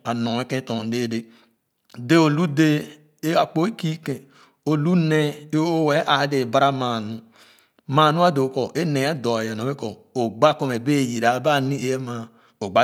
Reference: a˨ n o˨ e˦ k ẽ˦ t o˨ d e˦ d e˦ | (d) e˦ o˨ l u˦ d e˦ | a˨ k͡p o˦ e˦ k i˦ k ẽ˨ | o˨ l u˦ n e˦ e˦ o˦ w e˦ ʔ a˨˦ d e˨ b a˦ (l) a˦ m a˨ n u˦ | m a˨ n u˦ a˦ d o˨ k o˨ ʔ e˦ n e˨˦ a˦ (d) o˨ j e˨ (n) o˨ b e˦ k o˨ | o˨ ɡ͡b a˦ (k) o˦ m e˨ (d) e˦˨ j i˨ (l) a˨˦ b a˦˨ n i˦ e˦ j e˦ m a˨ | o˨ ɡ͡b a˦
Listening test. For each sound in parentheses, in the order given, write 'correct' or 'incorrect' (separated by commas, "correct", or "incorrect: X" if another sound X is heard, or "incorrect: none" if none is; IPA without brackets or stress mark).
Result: correct, incorrect: ɾ, correct, correct, correct, incorrect: b, incorrect: ɾ